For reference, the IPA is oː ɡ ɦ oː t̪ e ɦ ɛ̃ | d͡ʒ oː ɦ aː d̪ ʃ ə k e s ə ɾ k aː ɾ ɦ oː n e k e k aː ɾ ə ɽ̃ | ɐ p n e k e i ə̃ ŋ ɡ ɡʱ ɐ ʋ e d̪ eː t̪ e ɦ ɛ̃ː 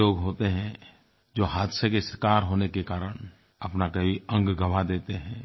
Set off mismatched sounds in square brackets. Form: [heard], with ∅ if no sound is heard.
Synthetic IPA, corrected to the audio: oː ɡ ɦ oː t̪ e ɦ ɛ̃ | d͡ʒ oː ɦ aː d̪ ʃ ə k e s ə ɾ k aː ɾ ɦ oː n e k e k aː ɾ ə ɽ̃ | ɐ p n [a] k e i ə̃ ŋ ɡ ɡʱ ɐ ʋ [a] d̪ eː t̪ e ɦ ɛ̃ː